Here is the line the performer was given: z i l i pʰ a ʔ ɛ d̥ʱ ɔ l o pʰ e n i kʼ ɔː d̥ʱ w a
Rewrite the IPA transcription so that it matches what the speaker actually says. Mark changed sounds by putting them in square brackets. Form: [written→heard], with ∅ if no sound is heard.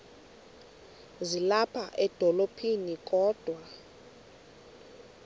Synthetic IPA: z i l [i→a] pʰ a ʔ ɛ d̥ʱ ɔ l o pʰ [e→i] n i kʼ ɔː d̥ʱ w a